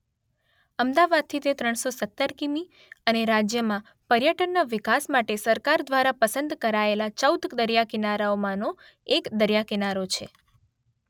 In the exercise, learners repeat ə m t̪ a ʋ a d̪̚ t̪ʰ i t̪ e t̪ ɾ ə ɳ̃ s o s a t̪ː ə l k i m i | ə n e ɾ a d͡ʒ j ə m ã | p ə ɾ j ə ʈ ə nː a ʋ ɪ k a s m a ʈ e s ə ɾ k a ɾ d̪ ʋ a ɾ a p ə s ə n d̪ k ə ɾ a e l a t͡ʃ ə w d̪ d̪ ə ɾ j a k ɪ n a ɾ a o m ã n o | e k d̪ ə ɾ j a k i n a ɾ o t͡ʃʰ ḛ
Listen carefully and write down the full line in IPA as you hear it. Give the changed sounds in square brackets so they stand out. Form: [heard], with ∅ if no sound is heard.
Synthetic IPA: ə m [d̪] a ʋ a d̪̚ t̪ʰ i t̪ e t̪ ɾ ə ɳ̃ s o s [ə] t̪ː ə [ɾ] k i m i | ə n e ɾ a d͡ʒ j ə m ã | p ə ɾ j ə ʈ ə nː a ʋ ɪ k a s m a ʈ e s ə ɾ k a ɾ d̪ ʋ a ɾ a p ə s ə n d̪ k ə ɾ a e l a t͡ʃ ə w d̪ d̪ ə ɾ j a k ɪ n a ɾ a o m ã n o | e k d̪ ə ɾ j a k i n a ɾ o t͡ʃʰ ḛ